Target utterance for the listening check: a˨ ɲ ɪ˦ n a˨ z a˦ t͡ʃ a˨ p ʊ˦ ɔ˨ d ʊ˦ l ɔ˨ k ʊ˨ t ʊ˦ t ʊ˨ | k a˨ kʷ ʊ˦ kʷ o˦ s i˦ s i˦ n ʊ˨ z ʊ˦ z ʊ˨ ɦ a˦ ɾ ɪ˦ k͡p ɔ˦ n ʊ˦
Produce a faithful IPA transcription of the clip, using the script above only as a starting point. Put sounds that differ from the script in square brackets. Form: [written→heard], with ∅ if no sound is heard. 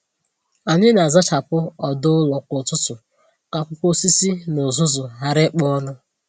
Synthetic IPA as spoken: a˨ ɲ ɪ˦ n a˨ z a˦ t͡ʃ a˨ p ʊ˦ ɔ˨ d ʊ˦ l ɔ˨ k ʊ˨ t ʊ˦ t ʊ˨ | k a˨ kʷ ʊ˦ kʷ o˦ s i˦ s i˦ n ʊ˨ z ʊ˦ z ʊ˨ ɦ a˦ ɾ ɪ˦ k͡p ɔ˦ n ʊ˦